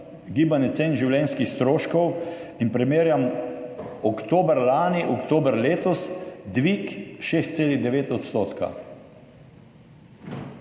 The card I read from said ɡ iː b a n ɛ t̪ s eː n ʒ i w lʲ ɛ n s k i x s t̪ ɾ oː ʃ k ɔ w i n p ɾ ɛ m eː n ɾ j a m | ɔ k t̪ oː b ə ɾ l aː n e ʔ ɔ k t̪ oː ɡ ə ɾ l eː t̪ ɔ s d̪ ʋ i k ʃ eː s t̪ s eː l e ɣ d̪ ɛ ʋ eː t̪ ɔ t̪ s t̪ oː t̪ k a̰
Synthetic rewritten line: ɡ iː b a n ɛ t̪ s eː n ʒ i w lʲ ɛ n s k i x s t̪ ɾ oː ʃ k ɔ w i n p ɾ ɛ m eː ɾ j a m | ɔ k t̪ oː b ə ɾ l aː n i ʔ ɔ k t̪ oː b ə ɾ l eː t̪ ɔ s d̪ ʋ i k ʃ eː s t̪ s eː l i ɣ d̪ ɛ ʋ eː t̪ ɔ t̪ s t̪ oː t̪ k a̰